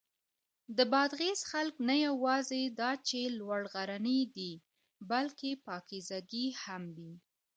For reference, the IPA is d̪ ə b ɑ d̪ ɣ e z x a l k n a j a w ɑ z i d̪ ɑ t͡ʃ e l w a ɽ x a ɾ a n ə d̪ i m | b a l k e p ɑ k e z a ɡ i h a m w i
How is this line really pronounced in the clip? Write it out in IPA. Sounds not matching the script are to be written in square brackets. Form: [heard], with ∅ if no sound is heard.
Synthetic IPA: d̪ ə b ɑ d̪ ɣ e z x a l k n a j a w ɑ z [e] d̪ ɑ t͡ʃ e l w a ɽ [ɣ] a ɾ a n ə d̪ i [∅] | b a l k e p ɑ k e z a ɡ i h a m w i